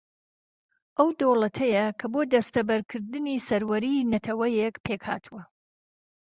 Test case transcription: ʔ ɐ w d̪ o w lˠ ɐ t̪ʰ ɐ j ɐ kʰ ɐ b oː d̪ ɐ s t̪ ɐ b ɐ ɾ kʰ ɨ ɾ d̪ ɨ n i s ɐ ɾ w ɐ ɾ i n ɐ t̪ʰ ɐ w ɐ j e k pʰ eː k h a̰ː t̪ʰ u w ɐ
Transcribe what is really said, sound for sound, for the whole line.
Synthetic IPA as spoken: ʔ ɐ w d̪ o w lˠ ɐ t̪ʰ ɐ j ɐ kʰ ɐ b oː d̪ ɐ s t̪ ɐ b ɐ ɾ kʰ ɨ ɾ d̪ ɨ n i s ɐ ɾ w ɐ ɾ i n ɐ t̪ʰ ɐ w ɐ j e k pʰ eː k h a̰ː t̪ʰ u w ɐ